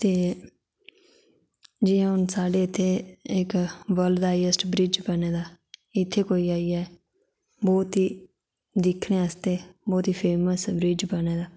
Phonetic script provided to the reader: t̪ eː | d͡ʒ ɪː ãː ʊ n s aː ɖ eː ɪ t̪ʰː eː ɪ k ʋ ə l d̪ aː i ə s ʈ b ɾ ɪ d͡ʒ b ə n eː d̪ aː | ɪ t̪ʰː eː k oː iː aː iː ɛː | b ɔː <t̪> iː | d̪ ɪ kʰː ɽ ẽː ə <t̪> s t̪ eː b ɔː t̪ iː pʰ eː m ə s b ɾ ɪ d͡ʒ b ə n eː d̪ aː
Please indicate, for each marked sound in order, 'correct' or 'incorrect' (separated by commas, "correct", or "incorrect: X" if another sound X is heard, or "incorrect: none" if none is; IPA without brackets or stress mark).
correct, incorrect: none